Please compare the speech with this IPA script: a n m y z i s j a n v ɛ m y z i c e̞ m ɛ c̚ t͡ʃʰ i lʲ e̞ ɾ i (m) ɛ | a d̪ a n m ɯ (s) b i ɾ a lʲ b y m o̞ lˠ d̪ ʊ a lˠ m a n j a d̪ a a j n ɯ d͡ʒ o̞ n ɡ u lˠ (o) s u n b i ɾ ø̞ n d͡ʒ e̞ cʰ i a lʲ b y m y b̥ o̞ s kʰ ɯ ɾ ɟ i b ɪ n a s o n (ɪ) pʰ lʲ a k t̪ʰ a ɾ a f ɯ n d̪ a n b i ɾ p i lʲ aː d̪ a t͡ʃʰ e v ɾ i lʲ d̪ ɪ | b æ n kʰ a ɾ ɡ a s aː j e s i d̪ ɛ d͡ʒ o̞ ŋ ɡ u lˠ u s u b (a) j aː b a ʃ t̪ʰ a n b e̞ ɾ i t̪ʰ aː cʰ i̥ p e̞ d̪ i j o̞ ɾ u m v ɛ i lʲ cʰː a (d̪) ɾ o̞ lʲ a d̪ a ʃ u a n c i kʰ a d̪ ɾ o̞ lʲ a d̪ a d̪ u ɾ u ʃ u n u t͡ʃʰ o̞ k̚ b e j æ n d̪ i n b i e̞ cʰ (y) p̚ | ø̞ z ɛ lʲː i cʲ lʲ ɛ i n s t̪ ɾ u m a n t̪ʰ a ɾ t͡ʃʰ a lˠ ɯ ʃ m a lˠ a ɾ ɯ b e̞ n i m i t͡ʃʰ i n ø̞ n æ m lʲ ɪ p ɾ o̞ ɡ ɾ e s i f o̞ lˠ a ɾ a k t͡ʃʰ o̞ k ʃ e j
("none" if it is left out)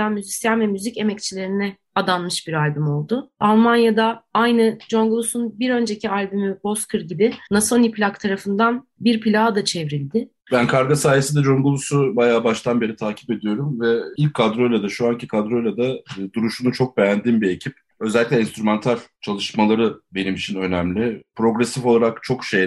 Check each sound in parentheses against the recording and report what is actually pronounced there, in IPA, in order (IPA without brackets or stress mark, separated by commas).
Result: n, ʃ, u, i, a, d̪, i